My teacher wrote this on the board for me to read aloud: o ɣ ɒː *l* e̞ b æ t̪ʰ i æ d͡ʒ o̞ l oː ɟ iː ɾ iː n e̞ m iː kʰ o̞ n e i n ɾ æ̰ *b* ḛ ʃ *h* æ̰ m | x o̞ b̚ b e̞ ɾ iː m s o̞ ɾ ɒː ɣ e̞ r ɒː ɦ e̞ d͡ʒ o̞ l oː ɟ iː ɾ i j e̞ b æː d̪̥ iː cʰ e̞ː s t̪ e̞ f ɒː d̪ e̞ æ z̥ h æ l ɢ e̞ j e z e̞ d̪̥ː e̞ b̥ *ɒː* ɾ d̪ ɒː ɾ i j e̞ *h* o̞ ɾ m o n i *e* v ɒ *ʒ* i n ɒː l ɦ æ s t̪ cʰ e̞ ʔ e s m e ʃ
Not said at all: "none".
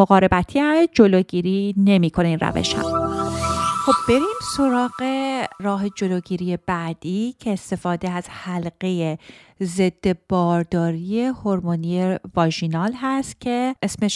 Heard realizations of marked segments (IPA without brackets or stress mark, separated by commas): ɾ, v, h, ɒː, h, e, ʒ